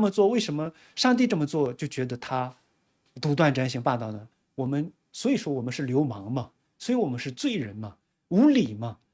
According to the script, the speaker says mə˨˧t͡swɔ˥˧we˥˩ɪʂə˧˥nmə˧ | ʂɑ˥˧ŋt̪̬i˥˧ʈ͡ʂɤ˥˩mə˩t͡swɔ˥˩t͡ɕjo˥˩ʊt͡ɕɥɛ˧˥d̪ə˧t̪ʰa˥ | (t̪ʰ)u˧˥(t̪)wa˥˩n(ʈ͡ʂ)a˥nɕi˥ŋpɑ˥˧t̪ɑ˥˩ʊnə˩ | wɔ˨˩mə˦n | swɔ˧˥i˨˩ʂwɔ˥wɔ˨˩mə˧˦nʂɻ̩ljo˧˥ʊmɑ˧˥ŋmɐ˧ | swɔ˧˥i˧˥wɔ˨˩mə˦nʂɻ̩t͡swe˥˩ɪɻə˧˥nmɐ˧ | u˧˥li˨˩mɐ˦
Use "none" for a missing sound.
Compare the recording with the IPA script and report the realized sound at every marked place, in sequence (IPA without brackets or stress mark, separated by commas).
t̪, t̪, ʈ͡ʂ